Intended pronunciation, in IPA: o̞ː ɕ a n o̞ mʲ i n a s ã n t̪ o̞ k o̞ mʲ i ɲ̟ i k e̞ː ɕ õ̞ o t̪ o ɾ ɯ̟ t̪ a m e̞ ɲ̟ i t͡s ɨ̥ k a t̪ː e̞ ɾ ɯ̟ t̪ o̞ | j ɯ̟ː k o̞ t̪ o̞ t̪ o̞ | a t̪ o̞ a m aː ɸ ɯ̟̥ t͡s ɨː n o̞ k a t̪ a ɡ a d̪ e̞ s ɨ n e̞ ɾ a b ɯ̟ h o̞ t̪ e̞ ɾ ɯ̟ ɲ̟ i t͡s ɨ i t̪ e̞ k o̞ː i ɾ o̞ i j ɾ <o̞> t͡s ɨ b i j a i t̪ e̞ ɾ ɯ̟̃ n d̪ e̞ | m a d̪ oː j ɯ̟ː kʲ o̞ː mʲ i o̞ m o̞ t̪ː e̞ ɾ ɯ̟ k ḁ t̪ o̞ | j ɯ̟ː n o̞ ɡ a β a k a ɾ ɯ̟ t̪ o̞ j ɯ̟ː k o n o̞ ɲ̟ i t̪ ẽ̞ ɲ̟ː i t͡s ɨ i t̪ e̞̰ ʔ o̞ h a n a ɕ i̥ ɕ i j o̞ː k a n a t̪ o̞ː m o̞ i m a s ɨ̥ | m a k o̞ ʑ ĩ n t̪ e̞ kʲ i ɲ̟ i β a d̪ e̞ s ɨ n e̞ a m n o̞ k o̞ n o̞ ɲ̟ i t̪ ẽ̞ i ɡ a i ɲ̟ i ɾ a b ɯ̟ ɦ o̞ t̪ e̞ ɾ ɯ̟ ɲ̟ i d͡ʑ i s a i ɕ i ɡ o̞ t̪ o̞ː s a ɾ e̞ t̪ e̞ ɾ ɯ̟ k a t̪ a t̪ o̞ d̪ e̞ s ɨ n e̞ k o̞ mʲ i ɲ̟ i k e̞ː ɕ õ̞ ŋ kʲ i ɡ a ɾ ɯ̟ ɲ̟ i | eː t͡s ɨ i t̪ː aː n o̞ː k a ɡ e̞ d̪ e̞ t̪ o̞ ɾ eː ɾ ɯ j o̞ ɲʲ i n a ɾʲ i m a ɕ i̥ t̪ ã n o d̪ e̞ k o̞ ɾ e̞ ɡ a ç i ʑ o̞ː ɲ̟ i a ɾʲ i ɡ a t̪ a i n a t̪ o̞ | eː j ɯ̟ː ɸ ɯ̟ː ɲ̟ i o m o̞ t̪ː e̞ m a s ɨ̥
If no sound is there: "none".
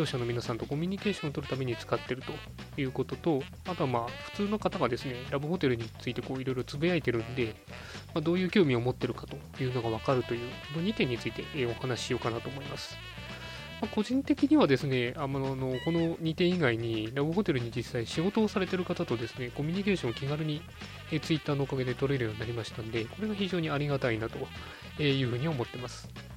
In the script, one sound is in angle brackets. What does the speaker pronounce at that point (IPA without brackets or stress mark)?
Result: o̞